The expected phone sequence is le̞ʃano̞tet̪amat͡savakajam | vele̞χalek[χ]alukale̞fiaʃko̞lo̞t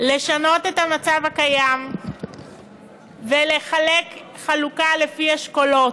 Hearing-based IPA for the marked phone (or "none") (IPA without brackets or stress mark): χ